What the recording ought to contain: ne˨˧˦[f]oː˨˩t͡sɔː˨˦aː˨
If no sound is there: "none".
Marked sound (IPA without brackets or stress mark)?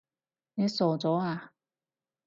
s